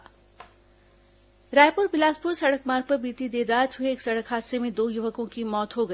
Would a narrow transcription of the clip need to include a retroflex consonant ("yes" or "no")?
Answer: yes